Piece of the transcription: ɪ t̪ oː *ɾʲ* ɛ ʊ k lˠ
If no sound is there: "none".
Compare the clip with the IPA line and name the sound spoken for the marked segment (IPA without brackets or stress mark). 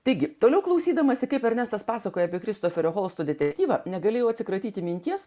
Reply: lʲ